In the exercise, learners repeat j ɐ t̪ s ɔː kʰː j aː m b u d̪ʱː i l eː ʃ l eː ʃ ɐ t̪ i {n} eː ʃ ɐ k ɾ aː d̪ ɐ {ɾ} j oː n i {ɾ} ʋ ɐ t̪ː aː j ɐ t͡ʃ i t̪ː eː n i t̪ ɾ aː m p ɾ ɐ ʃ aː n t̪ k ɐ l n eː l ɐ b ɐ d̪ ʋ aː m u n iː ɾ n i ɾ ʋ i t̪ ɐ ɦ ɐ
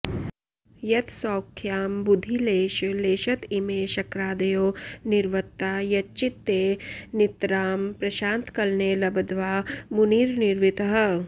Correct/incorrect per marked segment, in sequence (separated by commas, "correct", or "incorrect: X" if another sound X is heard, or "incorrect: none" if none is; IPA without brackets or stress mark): incorrect: m, incorrect: none, correct